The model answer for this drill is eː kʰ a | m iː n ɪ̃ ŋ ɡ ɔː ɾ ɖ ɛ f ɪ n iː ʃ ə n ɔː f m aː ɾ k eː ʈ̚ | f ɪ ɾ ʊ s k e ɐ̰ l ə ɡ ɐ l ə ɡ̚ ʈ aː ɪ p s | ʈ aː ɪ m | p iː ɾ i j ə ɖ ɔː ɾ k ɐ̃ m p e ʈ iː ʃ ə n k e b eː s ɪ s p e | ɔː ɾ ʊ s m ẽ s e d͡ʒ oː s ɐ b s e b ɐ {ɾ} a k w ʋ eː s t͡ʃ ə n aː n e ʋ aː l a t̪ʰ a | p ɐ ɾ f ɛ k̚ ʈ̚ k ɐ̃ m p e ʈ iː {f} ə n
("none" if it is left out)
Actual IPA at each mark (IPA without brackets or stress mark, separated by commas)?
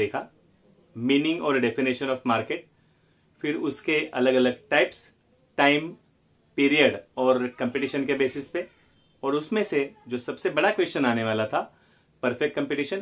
ɽ, ʃ